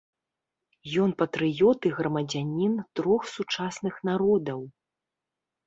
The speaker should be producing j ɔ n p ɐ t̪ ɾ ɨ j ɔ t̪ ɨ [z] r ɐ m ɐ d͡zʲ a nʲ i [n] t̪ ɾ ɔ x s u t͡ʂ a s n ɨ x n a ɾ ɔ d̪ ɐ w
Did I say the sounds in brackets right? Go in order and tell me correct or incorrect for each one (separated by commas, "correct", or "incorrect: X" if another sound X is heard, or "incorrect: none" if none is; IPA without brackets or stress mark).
incorrect: ɣ, correct